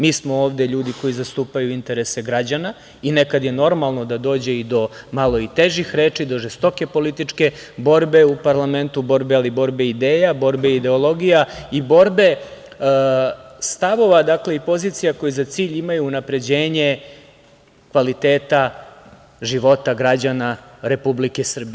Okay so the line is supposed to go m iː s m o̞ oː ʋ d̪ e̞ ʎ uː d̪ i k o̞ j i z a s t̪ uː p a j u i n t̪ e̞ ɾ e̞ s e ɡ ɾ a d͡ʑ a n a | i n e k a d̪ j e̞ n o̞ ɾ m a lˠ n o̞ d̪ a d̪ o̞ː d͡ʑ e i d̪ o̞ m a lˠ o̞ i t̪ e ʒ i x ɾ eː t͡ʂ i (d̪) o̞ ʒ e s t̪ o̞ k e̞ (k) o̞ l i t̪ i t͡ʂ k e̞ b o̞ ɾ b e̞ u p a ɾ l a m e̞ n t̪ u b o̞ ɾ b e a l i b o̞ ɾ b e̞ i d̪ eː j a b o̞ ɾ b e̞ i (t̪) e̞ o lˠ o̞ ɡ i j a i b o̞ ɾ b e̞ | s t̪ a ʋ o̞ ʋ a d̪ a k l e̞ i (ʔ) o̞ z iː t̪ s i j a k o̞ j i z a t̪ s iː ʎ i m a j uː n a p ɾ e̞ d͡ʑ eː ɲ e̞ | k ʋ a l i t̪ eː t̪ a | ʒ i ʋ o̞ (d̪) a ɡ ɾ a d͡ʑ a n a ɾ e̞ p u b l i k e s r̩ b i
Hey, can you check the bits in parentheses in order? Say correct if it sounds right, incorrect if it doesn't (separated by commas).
correct, incorrect, incorrect, incorrect, incorrect